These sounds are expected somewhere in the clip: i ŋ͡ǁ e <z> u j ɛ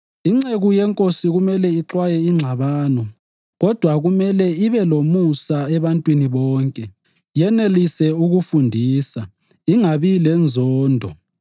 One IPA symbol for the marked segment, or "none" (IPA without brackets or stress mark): ɣ